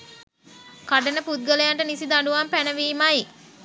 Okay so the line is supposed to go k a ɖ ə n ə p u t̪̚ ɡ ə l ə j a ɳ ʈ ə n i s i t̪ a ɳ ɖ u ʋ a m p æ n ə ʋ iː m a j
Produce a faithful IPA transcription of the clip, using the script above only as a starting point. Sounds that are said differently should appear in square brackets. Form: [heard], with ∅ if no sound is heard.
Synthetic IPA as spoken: k a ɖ ə n ə p u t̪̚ ɡ ə l ə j a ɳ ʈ ə n i s i [d̪] a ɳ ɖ u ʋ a m p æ n ə ʋ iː m a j